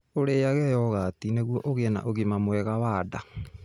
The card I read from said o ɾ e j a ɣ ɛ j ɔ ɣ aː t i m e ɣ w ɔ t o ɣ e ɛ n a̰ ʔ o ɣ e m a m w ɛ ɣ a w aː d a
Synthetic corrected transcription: o ɾ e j a ɣ ɛ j ɔ ɣ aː t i n e ɣ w ɔ ʔ o ɣ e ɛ n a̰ ʔ o ɣ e m a m w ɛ ɣ a w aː d a